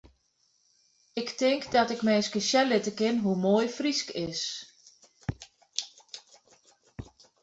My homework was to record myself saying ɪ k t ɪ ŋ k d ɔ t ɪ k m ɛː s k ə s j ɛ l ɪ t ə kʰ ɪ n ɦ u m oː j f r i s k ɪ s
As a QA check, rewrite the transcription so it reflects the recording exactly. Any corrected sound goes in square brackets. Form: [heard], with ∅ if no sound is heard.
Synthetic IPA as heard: ɪ k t ɪ ŋ k d ɔ t ɪ k m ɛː s k ə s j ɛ l ɪ t ə [k] ɪ n ɦ u m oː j f r i s k ɪ s